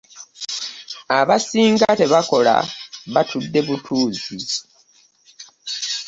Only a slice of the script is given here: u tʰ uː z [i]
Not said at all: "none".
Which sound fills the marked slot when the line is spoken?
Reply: i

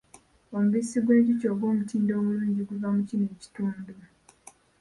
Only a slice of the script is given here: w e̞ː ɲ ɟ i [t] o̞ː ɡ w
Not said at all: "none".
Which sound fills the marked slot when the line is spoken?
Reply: c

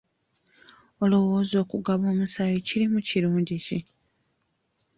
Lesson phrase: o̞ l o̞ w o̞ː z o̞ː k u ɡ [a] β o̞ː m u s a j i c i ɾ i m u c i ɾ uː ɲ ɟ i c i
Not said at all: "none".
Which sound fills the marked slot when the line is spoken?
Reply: a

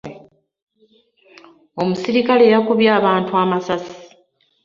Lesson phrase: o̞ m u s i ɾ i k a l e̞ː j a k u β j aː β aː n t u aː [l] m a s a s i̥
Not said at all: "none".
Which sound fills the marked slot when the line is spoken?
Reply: none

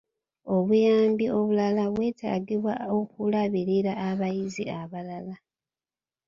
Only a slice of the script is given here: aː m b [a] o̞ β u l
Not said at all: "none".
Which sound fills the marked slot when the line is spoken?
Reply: i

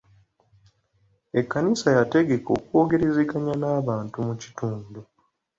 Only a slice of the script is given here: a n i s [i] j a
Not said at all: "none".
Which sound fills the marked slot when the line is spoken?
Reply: a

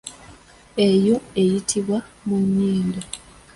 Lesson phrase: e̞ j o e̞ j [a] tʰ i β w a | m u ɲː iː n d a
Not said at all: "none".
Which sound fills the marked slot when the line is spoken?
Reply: i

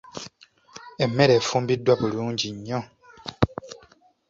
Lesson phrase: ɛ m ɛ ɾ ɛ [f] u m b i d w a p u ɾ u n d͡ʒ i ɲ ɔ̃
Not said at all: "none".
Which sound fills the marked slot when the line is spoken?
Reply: f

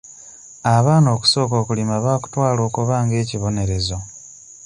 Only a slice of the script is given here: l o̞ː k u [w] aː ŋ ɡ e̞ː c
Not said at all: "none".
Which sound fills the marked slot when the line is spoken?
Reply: β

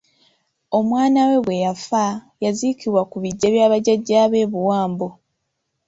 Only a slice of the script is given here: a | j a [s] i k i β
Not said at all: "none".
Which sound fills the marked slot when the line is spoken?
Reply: z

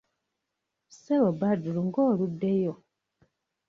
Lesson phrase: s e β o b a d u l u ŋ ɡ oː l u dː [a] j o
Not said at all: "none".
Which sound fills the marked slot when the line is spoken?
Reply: e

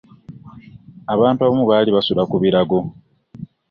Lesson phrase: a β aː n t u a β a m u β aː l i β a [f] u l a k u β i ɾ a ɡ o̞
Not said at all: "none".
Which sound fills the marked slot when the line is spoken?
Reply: s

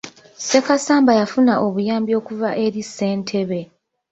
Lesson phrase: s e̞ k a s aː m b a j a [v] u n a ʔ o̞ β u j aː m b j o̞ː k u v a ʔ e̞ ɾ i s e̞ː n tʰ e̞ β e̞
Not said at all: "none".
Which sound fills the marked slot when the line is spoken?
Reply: f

